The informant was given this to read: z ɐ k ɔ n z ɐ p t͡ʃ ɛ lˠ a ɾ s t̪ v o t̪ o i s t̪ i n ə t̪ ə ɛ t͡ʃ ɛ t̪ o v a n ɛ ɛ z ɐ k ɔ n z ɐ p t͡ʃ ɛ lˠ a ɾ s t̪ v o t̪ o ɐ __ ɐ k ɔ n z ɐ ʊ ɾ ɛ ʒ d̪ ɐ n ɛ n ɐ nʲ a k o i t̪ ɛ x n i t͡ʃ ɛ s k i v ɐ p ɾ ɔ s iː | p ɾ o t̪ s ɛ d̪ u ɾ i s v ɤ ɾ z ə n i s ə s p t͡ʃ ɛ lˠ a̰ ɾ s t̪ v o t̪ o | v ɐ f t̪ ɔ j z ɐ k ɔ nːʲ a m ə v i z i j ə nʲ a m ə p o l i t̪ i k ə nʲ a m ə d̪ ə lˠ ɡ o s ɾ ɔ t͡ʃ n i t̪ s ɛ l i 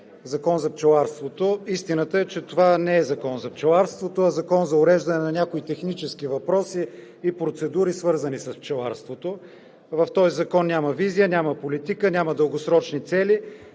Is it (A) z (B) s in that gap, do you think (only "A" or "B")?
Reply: A